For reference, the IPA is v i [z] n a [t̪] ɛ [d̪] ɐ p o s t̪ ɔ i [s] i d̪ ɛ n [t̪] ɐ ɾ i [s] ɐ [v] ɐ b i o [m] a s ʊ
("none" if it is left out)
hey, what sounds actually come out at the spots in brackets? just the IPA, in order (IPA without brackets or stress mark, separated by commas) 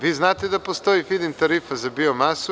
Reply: z, t̪, d̪, f, t̪, f, z, m